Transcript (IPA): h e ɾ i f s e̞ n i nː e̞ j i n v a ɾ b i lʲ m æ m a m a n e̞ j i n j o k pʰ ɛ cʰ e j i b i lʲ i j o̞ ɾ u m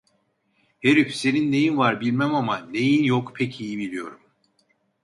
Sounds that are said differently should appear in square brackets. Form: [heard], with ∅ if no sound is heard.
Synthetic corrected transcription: h e ɾ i f s e̞ n i nː e̞ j i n v a ɾ b i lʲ m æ m a m a n e̞ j i n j o k pʰ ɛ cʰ [i] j i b i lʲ i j o̞ ɾ u m